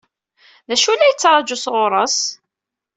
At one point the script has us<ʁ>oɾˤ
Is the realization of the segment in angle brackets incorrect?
no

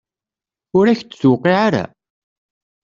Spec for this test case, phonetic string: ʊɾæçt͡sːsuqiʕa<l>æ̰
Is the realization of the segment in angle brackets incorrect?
yes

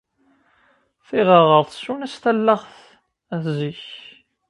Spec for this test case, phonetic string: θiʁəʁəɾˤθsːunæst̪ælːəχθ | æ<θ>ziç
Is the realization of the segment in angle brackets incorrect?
no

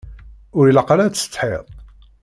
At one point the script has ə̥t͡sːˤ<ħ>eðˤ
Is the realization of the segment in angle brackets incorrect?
no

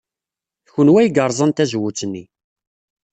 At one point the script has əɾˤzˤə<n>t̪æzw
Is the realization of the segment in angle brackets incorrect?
no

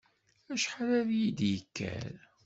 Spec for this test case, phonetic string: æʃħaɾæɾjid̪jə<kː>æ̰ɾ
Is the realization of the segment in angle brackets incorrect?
no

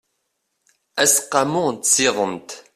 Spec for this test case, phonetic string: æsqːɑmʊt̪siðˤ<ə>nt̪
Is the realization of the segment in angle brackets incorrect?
no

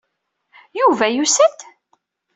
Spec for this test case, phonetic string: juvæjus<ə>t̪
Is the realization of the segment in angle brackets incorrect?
no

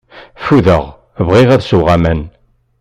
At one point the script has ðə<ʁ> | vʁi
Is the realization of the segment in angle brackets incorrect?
no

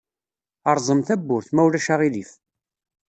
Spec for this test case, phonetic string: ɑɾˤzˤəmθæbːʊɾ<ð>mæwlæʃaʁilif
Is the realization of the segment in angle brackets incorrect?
yes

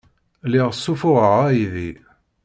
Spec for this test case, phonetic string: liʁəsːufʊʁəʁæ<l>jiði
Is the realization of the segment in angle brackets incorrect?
yes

